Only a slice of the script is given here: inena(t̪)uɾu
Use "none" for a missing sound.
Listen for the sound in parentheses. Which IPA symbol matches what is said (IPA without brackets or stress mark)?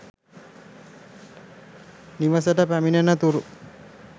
t̪